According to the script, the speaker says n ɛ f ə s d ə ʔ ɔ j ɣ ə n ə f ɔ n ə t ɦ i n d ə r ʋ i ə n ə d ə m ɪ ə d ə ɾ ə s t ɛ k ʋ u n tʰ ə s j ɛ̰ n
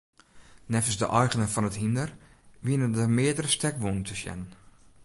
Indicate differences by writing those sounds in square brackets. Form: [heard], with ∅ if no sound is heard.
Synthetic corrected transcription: n ɛ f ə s d ə ʔ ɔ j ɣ ə n ə f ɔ n ə t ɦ i n d ə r ʋ i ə n ə d ə m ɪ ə d ə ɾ ə s t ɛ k ʋ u n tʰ ə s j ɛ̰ n

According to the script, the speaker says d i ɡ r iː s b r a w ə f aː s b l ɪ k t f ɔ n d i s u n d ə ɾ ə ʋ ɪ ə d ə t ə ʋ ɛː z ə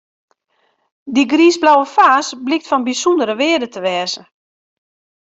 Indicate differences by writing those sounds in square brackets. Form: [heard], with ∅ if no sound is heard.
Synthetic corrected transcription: d i ɡ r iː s b [l] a w ə f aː s b l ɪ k t f ɔ n [b] i s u n d ə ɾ ə ʋ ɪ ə d ə t ə ʋ ɛː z ə

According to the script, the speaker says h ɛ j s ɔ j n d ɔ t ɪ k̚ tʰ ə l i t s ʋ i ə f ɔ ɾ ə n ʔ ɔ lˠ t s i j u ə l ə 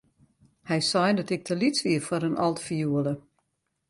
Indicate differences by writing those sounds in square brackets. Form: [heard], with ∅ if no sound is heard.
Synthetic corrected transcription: h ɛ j s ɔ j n d ɔ t ɪ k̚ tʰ ə l i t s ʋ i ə f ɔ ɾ ə n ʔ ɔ lˠ t [f] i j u ə l ə

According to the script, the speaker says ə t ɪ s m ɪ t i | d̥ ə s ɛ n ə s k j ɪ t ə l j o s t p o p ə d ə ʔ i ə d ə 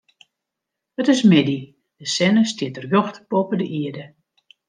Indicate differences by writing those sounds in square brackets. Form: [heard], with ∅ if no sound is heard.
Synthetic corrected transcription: ə t ɪ s m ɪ [d] i | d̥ ə s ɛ n ə s [t] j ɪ t ə [r] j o [x] t p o p ə d ə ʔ i ə d ə

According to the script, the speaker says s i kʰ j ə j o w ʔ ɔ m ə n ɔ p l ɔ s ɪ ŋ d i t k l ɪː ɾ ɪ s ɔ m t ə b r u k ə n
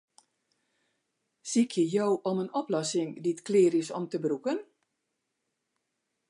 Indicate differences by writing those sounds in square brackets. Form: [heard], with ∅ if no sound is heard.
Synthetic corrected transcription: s i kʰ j ə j o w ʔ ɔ m ə n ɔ p l ɔ s ɪ ŋ d i t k l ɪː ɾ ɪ s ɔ m t ə b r u k ə n

